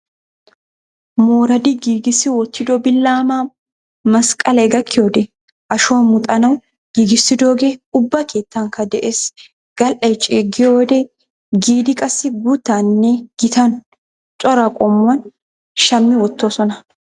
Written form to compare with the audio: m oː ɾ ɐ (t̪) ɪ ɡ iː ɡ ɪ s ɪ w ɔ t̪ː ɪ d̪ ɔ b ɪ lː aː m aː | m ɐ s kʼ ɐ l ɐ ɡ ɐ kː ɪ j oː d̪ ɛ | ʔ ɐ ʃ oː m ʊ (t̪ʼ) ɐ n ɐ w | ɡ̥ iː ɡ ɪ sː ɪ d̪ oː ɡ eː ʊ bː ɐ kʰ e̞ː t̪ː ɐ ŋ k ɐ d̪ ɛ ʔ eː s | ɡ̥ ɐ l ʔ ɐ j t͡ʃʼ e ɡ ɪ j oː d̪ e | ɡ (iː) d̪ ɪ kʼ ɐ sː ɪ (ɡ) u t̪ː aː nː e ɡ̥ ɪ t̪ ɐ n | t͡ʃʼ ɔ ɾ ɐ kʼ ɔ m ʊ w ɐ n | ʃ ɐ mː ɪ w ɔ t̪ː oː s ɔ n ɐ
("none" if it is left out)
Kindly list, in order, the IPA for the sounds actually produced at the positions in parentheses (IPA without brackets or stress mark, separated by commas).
d̪, t̪ʼ, iː, ɡ